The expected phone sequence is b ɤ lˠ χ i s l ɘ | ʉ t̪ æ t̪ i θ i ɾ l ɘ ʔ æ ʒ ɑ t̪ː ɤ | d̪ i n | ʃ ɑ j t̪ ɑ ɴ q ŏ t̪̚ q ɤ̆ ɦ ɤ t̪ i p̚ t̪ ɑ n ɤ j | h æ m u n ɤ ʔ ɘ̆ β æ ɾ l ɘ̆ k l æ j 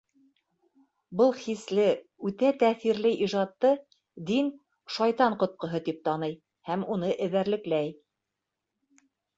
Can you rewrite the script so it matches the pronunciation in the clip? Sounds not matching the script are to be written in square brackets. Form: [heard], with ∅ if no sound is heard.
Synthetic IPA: b ɤ lˠ χ i s l ɘ | ʉ t̪ æ t̪ [æ] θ i ɾ l ɘ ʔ [i] ʒ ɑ t̪ː ɤ | d̪ i n | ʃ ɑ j t̪ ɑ ɴ q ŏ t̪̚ q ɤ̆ ɦ ɤ t̪ i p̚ t̪ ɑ n ɤ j | h æ m u n ɤ ʔ ɘ̆ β æ ɾ l ɘ̆ k l æ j